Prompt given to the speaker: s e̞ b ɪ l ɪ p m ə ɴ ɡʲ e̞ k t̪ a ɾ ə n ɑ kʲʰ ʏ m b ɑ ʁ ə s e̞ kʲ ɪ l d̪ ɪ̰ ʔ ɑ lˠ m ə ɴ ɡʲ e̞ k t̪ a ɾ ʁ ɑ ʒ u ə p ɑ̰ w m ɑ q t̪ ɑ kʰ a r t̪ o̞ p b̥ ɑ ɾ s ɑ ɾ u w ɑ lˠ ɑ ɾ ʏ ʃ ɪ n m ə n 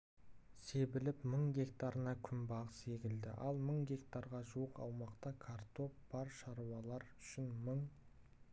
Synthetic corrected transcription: s e̞ b ɪ l ɪ p m ə ɴ ɡʲ e̞ k t̪ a ɾ ə n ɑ kʲʰ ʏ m b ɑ ʁ ə s e̞ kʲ ɪ l d̪ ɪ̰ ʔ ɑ lˠ m ə ɴ ɡʲ e̞ k t̪ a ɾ ʁ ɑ ʒ u ə q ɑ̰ w m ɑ q t̪ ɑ kʰ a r t̪ o̞ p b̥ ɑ ɾ ʃ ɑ ɾ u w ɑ lˠ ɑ ɾ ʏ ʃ ɪ n m ə ɴ